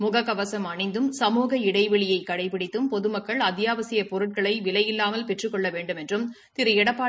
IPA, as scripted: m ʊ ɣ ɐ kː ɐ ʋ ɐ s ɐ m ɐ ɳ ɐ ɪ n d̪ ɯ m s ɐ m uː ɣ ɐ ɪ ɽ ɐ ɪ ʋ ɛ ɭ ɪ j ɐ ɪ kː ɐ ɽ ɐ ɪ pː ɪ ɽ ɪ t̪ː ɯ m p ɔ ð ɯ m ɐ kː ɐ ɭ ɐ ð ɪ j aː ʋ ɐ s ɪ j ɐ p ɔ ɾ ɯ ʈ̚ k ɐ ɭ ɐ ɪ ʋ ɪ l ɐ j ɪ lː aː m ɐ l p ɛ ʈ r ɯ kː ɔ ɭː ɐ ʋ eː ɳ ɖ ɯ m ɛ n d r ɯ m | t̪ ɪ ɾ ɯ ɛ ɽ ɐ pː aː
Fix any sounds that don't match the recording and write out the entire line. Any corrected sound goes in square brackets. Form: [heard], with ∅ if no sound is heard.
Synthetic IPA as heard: m ʊ ɣ ɐ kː ɐ ʋ ɐ s ɐ m ɐ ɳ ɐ ɪ n d̪ ɯ m s ɐ m uː ɣ ɐ ɪ ɽ ɐ ɪ ʋ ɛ ɭ ɪ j ɐ ɪ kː ɐ ɽ ɐ ɪ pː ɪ ɽ ɪ t̪ː ɯ m p ɔ ð ɯ m ɐ kː ɐ ɭ ɐ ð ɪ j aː ʋ ɐ s ɪ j ɐ p ɔ ɾ ɯ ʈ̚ k ɐ ɭ ɐ ɪ ʋ ɪ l ɐ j ɪ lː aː m ɐ l p ɛ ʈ r ɯ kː ɔ ɭː ɐ ʋ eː ɳ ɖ ɯ m ɛ n d r ɯ m | t̪ ɪ ɾ ɯ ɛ ɽ ɐ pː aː